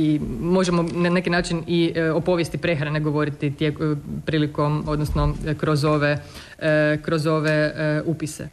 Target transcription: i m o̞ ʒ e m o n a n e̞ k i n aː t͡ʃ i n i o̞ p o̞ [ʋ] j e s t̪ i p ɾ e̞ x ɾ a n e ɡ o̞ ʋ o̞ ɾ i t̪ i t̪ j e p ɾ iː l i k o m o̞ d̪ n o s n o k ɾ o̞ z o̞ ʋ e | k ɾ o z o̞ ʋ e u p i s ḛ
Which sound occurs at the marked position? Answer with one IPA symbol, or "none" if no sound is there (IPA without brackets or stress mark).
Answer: ʋ